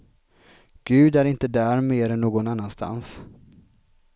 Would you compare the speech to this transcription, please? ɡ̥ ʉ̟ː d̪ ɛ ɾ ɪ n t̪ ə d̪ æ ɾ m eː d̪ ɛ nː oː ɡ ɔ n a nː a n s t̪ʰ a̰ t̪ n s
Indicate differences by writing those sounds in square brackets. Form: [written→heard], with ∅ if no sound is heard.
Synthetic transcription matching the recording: ɡ̥ ʉ̟ː d̪ [ɛ→æ] ɾ ɪ n t̪ ə d̪ æ ɾ m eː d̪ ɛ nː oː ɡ ɔ n a nː a n s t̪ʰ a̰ [t̪→∅] n s